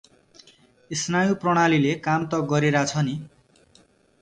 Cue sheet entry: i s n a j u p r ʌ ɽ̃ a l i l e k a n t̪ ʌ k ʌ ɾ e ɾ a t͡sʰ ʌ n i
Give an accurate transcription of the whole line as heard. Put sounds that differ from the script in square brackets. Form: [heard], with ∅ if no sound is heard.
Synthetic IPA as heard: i s n a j u p r ʌ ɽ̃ a l i l e k a [m] t̪ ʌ [ɡ] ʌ ɾ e ɾ a t͡sʰ ʌ n i